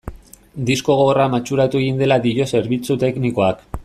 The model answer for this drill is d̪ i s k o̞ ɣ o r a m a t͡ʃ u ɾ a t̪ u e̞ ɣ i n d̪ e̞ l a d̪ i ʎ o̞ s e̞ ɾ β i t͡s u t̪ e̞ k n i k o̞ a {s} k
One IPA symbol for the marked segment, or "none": none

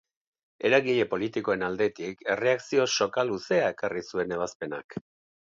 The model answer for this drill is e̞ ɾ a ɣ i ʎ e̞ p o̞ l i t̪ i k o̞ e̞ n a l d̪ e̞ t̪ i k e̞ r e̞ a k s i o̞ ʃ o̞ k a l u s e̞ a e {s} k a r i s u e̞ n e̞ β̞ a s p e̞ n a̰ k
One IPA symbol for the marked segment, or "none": none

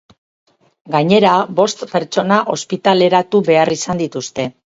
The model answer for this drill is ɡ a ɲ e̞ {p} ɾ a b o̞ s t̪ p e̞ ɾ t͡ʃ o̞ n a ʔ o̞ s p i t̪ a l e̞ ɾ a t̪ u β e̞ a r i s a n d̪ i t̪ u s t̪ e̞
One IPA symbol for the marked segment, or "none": none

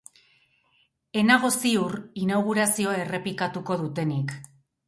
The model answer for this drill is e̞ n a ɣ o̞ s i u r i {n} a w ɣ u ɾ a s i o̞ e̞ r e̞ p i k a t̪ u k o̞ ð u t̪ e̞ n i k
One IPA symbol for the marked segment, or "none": n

